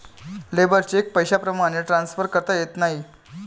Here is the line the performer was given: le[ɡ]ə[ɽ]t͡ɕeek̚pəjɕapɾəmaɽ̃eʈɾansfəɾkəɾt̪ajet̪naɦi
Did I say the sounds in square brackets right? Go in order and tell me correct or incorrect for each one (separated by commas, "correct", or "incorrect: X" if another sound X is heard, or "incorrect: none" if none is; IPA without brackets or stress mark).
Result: incorrect: b, incorrect: ɾ